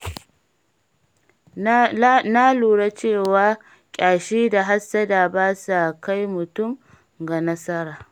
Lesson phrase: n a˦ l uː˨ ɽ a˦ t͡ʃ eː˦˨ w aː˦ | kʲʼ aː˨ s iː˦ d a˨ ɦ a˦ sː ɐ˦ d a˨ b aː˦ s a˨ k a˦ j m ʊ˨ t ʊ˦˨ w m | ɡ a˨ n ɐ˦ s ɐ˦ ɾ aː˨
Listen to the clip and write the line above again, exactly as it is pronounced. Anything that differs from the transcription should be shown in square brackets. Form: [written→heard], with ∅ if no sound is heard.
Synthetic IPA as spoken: n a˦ l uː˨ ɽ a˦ t͡ʃ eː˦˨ w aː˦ | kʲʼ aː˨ [s→ʃ] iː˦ d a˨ ɦ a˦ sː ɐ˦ d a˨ b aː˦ s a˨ k a˦ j m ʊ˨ t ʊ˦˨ [w→∅] m | ɡ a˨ n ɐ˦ s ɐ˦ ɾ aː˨